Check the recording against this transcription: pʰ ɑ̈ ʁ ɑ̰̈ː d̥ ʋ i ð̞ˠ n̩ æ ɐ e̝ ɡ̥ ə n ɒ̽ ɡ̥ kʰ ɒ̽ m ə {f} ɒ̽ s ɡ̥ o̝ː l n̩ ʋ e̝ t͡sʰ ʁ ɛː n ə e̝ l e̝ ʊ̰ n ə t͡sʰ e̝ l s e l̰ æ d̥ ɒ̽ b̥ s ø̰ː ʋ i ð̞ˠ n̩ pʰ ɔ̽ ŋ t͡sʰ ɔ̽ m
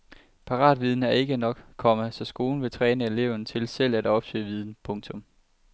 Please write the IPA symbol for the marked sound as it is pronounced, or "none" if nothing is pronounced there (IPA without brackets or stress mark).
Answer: s